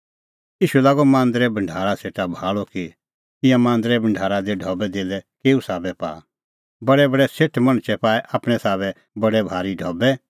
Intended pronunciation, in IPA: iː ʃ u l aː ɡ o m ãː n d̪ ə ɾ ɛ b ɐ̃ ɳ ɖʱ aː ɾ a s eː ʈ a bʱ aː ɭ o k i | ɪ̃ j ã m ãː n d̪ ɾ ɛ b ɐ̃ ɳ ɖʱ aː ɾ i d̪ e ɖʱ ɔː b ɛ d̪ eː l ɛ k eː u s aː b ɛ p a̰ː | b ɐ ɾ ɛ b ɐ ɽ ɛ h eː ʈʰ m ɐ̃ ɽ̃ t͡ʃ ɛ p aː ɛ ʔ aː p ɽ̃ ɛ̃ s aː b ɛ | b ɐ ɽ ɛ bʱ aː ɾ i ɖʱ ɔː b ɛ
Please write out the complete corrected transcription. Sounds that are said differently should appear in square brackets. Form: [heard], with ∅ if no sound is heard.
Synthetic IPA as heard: iː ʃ u l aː ɡ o m ãː n d̪ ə ɾ ɛ b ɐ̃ ɳ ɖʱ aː ɾ a s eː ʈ a bʱ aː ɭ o k i | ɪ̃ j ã m ãː n d̪ ɾ ɛ b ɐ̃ ɳ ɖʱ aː ɾ [a] d̪ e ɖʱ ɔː b ɛ d̪ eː l ɛ k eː u s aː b ɛ p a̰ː | b ɐ [ɽ] ɛ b ɐ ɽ ɛ [s] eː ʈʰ m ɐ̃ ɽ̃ t͡ʃ ɛ p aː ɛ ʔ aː p ɽ̃ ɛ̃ s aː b ɛ | b ɐ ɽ ɛ bʱ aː ɾ i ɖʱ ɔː b ɛ